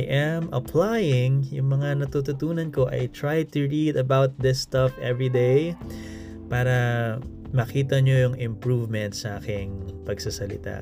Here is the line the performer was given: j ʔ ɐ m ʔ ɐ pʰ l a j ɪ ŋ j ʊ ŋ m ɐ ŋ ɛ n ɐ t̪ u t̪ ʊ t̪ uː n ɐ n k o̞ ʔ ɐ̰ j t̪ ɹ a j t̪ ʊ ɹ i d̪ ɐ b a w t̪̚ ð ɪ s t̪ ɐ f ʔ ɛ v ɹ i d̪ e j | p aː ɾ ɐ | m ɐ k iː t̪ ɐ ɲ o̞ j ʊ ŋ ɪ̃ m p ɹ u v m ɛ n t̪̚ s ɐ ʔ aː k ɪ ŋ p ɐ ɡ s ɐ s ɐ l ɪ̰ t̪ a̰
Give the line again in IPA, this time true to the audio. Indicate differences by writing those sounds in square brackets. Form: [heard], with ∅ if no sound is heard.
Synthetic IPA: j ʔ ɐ m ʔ ɐ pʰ l a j ɪ ŋ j ʊ ŋ m ɐ ŋ [a] n ɐ t̪ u t̪ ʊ t̪ uː n ɐ n k o̞ ʔ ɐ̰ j t̪ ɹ a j t̪ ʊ ɹ i d̪ ɐ b a w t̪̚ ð ɪ s t̪ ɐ f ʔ ɛ v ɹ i d̪ e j | p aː ɾ ɐ | m ɐ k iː t̪ ɐ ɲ o̞ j ʊ ŋ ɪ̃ m p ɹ u v m ɛ n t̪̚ s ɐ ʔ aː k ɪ ŋ p ɐ ɡ s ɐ s ɐ l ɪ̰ t̪ a̰